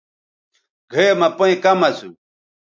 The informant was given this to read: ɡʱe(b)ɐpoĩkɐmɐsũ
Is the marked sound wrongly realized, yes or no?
yes